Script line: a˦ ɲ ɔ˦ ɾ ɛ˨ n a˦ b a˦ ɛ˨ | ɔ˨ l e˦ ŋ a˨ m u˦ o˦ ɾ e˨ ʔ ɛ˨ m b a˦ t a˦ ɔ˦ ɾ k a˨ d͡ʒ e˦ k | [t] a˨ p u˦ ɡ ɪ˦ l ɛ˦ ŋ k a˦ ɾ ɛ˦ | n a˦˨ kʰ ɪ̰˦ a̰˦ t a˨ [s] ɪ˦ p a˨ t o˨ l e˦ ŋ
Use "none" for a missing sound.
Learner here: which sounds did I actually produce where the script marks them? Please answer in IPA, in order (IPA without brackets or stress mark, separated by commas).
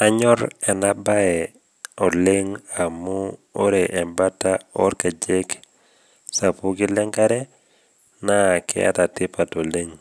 s, t